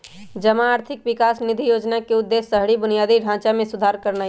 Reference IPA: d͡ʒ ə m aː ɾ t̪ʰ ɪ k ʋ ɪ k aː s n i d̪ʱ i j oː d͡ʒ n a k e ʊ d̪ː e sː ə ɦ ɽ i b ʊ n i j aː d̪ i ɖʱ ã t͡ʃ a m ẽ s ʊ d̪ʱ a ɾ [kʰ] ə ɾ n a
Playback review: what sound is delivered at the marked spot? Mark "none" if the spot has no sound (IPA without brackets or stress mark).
k